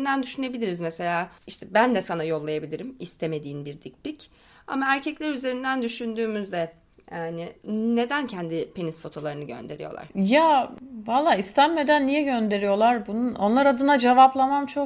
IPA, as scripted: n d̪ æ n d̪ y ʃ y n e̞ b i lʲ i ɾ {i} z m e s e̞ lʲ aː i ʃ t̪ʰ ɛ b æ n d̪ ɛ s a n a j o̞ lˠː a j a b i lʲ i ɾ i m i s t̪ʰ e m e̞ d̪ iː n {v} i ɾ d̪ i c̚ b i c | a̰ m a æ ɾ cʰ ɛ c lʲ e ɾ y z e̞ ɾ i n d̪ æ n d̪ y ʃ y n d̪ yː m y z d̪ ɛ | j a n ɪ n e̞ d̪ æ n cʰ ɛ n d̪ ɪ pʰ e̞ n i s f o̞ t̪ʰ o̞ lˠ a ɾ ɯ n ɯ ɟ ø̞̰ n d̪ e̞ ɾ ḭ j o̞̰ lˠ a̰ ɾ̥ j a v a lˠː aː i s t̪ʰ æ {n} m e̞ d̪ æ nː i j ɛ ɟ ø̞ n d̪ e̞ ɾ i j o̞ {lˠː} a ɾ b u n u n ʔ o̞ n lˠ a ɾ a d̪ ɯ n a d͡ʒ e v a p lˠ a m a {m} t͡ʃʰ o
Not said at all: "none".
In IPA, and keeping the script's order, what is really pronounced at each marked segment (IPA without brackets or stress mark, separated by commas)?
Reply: i, b, n, lˠ, m